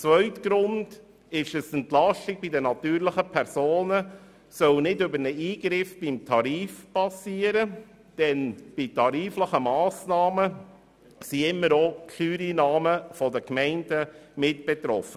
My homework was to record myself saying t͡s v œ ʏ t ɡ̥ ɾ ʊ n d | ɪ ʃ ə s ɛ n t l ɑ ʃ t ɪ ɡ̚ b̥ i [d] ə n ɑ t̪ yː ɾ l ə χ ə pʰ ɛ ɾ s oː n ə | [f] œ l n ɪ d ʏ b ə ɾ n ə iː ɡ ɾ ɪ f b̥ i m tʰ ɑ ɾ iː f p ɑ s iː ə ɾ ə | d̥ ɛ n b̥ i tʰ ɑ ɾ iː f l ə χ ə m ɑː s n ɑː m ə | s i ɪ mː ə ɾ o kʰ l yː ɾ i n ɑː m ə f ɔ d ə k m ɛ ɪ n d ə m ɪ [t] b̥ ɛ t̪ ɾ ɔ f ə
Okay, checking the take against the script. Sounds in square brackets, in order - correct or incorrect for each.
correct, incorrect, correct

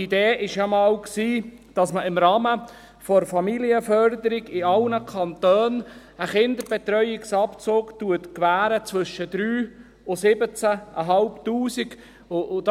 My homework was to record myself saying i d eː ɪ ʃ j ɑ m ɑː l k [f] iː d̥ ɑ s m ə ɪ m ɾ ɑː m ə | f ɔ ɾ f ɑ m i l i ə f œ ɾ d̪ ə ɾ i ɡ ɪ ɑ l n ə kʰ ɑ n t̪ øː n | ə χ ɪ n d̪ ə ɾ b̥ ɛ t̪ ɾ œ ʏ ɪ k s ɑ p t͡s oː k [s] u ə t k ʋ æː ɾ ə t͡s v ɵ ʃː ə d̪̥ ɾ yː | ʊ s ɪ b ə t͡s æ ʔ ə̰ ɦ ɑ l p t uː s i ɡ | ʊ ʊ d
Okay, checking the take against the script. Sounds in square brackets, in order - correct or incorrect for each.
incorrect, incorrect

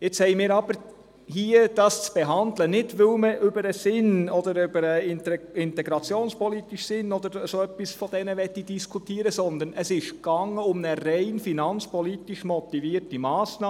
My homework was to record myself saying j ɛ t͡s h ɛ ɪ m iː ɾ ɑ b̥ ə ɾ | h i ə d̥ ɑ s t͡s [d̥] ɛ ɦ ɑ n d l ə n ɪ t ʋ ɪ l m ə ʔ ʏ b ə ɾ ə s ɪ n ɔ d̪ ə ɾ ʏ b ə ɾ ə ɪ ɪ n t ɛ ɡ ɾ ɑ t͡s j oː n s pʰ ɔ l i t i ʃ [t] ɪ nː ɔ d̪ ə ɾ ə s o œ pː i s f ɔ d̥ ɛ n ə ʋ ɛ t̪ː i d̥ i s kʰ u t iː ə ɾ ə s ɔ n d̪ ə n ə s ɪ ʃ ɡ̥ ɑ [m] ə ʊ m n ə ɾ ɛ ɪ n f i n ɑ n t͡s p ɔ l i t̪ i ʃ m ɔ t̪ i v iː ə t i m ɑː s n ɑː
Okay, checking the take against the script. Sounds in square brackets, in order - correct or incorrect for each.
incorrect, incorrect, incorrect

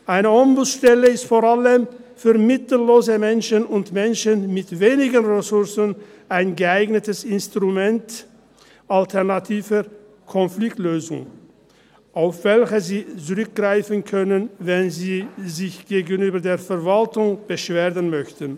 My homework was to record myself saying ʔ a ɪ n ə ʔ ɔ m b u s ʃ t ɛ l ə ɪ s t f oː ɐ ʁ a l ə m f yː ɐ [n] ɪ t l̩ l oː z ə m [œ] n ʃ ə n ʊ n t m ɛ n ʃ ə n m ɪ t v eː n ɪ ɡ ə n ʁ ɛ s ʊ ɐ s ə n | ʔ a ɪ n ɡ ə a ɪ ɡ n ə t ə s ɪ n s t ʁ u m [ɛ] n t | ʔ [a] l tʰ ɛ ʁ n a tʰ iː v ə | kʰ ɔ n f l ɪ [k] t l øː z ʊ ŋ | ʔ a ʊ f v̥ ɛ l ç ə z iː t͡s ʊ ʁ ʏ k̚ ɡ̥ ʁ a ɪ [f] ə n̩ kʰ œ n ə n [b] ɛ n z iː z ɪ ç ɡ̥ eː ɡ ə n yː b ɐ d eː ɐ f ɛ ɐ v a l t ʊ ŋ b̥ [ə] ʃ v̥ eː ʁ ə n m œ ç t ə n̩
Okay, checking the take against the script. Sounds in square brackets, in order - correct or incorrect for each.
incorrect, incorrect, correct, correct, correct, correct, incorrect, correct

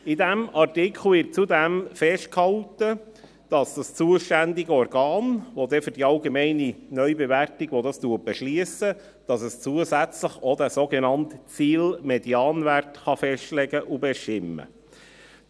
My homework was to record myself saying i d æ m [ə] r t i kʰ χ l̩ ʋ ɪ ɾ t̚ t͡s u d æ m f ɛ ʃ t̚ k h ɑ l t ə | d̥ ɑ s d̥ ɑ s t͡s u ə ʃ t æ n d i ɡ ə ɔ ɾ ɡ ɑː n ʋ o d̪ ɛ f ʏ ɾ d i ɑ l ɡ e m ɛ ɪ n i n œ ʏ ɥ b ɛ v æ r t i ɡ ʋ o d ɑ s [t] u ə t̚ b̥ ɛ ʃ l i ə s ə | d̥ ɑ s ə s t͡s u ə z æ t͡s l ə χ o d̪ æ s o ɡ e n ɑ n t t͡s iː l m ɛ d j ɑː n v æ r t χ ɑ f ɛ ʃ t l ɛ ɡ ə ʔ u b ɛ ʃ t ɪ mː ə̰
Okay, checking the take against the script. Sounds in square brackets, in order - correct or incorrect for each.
incorrect, correct

